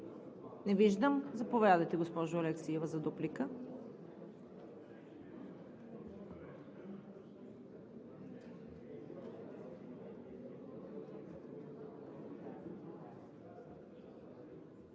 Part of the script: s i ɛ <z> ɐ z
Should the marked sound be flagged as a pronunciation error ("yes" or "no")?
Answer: yes